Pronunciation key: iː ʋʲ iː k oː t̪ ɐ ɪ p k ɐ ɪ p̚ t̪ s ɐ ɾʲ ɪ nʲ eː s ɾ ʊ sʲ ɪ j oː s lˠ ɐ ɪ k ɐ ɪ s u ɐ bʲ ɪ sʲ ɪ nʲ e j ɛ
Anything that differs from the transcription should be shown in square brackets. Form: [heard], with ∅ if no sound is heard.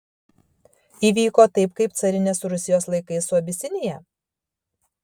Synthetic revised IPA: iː ʋʲ iː k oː t̪ ɐ ɪ p k ɐ ɪ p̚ t̪ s ɐ ɾʲ ɪ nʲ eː s ɾ ʊ sʲ ɪ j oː s lˠ ɐ ɪ k ɐ ɪ s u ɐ bʲ ɪ sʲ ɪ nʲ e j ɛ